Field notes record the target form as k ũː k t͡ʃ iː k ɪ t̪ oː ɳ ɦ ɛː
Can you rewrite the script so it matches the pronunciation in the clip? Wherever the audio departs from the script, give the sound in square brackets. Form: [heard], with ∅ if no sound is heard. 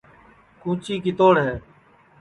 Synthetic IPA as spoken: k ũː [∅] t͡ʃ iː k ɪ t̪ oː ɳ ɦ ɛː